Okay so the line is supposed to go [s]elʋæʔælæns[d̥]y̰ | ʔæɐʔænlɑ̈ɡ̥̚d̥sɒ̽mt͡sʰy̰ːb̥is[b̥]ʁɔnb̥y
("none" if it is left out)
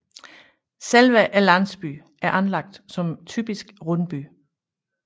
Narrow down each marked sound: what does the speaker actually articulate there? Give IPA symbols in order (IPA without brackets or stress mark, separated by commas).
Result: s, b̥, ɡ̥